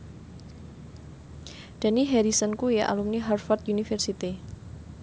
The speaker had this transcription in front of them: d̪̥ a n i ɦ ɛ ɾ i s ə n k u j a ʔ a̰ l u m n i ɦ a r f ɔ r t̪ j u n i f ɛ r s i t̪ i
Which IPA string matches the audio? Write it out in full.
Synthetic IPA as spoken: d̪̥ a n i ɦ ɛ ɾ i s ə n k u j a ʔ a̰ l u m n i ɦ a r f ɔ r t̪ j u n i f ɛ r s i t̪ i